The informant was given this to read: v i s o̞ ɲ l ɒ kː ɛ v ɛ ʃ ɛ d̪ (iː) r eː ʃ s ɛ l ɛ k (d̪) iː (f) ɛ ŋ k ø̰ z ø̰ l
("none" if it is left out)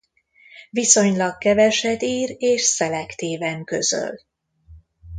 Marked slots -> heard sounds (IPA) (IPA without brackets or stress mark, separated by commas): iː, t̪, v